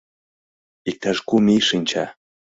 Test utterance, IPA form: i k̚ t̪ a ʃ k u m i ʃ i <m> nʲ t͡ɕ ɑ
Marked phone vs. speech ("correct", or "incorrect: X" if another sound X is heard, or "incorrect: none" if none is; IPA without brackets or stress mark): incorrect: none